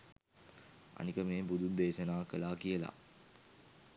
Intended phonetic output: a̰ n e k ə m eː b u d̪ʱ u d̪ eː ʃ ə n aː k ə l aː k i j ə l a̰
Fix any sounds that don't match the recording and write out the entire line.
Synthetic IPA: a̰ n i k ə m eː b u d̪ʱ u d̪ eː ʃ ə n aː k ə l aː k i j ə l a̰